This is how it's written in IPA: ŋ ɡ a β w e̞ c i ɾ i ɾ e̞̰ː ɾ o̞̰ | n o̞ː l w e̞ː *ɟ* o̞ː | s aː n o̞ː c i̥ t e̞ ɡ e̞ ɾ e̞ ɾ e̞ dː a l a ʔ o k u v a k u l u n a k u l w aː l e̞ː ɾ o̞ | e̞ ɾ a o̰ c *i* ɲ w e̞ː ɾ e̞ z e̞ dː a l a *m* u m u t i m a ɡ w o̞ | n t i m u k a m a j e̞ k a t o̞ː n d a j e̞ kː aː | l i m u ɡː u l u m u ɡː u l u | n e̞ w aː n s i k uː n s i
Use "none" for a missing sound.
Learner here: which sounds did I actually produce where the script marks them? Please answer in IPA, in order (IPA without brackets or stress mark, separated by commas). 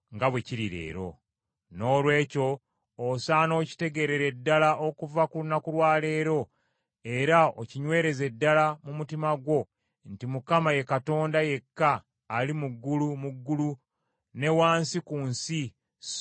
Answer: c, i, m